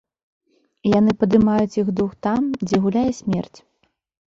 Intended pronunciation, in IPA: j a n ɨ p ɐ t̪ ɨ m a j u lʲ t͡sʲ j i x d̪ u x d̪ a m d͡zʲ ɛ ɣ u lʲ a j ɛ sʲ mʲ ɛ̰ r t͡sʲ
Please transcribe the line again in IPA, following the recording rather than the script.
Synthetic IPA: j a n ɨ p ɐ d̪ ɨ m a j u t͡sʲ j i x d̪ u x t̪ a m d͡zʲ ɛ ɣ u lʲ a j ɛ sʲ mʲ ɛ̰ r t͡sʲ